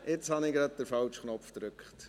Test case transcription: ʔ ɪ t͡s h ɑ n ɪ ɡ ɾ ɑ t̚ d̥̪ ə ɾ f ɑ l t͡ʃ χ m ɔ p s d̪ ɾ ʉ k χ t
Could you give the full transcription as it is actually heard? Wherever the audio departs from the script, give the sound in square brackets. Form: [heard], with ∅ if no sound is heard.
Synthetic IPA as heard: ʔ ɪ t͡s h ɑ n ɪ ɡ ɾ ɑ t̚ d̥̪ ə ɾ f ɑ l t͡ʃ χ [n] ɔ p [f] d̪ ɾ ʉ k χ t